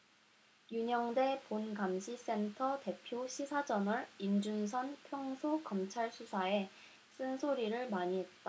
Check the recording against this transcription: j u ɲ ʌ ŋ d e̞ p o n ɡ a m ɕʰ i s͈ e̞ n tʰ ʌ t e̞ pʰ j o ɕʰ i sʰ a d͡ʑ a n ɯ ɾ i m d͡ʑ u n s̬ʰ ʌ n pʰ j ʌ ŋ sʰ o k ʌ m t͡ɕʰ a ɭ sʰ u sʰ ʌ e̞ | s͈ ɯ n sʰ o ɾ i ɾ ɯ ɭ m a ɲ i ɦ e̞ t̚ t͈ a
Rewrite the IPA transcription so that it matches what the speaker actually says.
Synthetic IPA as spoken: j u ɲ ʌ ŋ d e̞ p o n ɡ a m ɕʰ i s͈ e̞ n tʰ ʌ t e̞ pʰ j o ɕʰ i sʰ a d͡ʑ ʌ n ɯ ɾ i m d͡ʑ u n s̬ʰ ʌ n pʰ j ʌ ŋ sʰ o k ʌ m t͡ɕʰ a ɭ sʰ u sʰ a e̞ | s͈ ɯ n sʰ o ɾ i ɾ ɯ ɭ m a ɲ i ɦ e̞ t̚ t͈ a